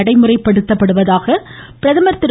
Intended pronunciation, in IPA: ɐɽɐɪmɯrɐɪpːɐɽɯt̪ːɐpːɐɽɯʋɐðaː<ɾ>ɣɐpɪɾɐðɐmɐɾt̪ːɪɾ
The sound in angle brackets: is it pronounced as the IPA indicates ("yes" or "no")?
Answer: no